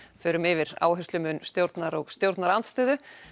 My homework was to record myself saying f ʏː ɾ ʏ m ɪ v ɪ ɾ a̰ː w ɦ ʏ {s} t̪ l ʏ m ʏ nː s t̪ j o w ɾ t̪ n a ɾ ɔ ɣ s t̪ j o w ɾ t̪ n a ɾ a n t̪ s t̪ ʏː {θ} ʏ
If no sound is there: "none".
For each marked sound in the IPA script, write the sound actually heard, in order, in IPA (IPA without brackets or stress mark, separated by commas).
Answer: s, ð